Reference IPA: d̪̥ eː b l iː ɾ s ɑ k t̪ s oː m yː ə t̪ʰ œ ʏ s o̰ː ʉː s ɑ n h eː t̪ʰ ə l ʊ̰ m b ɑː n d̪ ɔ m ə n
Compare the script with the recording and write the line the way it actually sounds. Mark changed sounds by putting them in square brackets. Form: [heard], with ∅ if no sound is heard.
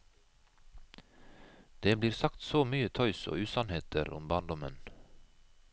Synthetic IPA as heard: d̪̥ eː b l iː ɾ s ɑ k t̪ s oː m yː ə t̪ʰ œ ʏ s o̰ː ʉː s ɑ n h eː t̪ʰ ə [ɾ] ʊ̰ m b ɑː n d̪ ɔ m ə n